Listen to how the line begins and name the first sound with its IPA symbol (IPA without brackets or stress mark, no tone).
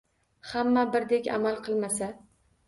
h